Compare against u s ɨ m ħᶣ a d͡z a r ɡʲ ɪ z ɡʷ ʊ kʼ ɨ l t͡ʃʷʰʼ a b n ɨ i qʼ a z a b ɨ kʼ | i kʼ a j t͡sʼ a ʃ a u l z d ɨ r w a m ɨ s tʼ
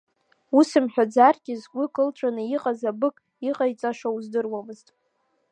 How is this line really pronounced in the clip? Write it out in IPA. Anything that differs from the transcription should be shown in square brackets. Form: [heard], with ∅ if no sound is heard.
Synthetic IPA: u s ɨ m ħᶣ a d͡z a r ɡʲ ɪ z ɡʷ ʊ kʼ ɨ l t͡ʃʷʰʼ a [∅] n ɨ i qʼ a z a b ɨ kʼ | i [qʼ] a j t͡sʼ a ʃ a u [∅] z d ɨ r w a m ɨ [z] tʼ